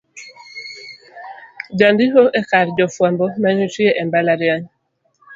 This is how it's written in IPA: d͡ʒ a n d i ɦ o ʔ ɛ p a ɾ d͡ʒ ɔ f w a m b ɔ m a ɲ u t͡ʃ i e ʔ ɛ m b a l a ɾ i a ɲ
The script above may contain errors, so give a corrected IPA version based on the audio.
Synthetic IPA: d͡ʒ a n d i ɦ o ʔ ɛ k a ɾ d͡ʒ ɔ f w a m b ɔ m a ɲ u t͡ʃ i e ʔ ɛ m b a l a ɾ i a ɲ